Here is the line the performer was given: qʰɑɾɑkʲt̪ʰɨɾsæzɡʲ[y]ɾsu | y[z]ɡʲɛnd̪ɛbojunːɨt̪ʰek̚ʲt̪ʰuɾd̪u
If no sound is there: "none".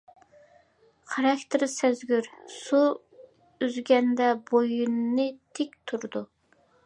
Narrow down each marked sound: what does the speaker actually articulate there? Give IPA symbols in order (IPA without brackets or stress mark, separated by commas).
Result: y, z